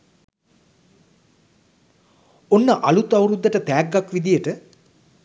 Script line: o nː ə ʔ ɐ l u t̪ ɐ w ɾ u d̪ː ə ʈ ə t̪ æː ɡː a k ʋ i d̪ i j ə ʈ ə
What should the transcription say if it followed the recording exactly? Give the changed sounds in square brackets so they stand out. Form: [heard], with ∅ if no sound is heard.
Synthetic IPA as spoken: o nː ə ʔ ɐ l u t̪ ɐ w ɾ u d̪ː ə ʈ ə t̪ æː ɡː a k ʋ i d̪ i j ə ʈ ə